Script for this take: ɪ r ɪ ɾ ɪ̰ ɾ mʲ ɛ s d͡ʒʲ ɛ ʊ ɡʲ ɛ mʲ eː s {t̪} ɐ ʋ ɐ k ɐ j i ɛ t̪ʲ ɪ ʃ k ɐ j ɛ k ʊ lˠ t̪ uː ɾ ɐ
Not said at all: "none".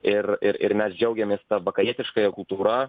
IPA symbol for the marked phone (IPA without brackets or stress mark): t̪